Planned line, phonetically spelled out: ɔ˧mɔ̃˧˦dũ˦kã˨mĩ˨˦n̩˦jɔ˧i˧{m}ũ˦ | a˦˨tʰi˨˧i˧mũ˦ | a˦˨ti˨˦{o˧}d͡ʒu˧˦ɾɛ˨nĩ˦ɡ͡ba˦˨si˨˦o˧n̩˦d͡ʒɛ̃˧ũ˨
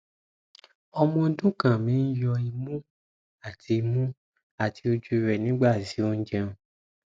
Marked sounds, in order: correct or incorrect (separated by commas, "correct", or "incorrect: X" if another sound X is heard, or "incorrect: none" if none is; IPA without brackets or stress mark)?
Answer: correct, correct